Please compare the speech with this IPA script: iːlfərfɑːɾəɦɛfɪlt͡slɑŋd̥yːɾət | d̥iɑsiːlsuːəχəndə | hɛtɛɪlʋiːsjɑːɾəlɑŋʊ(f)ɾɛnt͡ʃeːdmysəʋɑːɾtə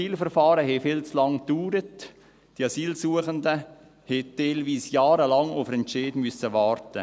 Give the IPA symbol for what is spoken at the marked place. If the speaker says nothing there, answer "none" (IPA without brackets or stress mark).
f